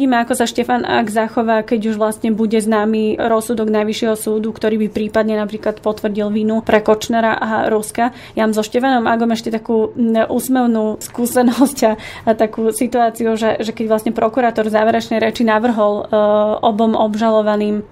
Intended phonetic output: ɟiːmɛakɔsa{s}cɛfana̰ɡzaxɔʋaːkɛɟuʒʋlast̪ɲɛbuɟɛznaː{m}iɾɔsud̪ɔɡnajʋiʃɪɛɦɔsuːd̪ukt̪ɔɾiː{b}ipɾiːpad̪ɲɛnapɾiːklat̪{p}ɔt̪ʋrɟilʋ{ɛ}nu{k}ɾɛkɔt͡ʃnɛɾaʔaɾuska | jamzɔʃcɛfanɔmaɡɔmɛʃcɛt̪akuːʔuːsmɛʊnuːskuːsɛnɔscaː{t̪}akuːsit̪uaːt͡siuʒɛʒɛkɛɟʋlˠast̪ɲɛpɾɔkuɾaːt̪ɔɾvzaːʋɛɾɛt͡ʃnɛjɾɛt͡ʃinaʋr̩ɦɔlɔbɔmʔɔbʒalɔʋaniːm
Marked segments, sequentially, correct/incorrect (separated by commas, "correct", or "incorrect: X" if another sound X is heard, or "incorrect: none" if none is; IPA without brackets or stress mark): incorrect: ʃ, correct, correct, correct, incorrect: i, incorrect: p, correct